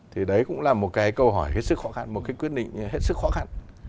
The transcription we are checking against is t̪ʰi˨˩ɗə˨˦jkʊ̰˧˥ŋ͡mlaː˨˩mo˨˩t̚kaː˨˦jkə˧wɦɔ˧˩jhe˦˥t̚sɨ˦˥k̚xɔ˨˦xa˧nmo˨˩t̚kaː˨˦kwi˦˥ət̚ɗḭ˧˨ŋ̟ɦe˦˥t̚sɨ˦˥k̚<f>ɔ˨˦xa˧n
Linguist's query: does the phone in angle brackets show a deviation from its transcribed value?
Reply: yes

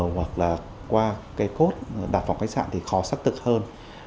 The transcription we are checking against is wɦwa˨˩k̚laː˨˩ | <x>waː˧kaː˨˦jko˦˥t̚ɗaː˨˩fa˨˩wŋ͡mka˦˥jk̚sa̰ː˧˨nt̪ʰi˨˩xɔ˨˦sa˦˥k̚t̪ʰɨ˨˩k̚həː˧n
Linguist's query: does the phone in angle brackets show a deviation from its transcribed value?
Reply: yes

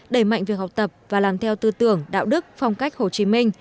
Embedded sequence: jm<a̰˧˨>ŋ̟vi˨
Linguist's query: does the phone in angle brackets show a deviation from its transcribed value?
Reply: no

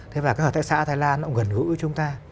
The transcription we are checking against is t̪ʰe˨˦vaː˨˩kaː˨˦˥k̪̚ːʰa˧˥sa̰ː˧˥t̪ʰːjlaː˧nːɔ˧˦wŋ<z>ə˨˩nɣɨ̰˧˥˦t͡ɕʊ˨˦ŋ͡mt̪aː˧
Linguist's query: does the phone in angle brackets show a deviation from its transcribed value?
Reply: yes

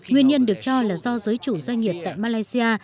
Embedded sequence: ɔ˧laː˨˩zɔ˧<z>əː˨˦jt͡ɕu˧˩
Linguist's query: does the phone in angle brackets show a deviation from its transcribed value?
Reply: no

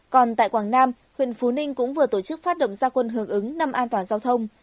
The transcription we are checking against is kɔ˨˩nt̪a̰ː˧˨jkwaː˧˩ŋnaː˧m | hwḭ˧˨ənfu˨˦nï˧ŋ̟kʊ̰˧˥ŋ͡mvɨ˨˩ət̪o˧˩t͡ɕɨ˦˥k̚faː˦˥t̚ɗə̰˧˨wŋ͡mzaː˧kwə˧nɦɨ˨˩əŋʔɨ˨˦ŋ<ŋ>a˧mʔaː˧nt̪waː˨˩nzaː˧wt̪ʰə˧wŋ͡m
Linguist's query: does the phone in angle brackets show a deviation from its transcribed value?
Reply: yes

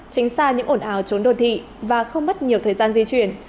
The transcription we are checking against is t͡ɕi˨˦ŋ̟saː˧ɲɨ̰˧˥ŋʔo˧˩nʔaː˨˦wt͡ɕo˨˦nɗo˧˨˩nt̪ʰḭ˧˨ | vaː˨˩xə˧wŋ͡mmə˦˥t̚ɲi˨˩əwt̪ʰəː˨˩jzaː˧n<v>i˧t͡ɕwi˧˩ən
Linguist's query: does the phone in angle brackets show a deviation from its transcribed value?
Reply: yes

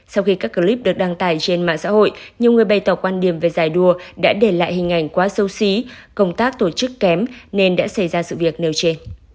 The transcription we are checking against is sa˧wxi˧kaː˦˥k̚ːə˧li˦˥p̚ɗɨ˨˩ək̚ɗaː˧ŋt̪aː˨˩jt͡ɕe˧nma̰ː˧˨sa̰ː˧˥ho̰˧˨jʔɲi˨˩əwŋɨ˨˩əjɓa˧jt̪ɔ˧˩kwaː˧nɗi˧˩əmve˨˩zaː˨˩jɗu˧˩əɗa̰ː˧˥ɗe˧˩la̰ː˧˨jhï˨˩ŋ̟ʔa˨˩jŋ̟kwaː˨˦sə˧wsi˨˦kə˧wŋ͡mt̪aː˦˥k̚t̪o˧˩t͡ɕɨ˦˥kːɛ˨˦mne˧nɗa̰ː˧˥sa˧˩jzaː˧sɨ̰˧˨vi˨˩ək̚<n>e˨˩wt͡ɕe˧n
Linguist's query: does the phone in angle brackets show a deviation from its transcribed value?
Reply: no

